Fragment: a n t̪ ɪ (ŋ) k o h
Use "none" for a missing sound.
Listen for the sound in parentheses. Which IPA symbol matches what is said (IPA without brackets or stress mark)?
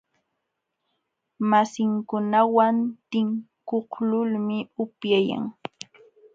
ŋ